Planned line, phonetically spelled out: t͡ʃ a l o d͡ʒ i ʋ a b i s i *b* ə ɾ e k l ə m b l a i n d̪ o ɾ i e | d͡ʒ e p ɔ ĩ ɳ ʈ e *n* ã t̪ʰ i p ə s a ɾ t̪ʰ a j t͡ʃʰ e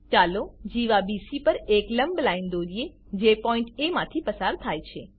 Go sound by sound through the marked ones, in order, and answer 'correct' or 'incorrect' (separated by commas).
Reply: incorrect, incorrect